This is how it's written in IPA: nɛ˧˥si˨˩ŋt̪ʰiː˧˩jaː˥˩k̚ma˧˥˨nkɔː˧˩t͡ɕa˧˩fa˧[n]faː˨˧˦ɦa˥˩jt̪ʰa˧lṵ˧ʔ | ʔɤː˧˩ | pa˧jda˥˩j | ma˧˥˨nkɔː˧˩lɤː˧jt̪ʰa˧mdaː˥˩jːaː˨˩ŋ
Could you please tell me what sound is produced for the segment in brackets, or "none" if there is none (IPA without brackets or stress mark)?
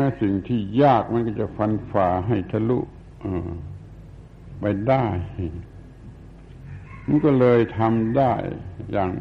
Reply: n